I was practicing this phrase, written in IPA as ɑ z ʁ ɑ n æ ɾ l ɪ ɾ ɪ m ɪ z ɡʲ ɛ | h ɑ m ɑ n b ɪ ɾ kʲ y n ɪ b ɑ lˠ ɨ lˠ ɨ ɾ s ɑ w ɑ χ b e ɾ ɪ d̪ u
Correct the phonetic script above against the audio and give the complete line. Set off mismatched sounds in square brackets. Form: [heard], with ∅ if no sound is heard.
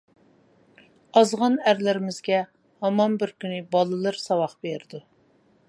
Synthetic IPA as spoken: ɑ z ʁ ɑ n æ ɾ l ɪ ɾ ɪ m ɪ z ɡʲ ɛ | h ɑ m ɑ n b ɪ ɾ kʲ y n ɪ b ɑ lˠ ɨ lˠ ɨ ɾ s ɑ w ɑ χ b e ɾ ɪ d̪ u